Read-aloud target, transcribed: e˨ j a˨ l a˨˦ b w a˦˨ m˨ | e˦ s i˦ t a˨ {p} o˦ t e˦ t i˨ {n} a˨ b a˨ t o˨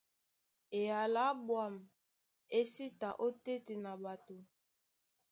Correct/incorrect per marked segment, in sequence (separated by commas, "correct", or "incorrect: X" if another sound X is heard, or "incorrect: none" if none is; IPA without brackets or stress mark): incorrect: ʔ, correct